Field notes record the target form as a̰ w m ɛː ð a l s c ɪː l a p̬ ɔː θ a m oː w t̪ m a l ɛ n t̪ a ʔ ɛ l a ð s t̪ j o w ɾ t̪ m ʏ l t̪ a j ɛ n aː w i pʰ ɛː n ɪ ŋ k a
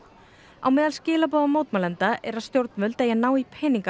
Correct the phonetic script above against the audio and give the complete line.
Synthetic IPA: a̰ w m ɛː ð a l s c ɪː l a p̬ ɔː ð a m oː w t̪ m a l ɛ n t̪ a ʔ ɛ ɾ a ð s t̪ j o w ɾ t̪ m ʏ l t̪ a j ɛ n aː w i pʰ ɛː n i ŋ k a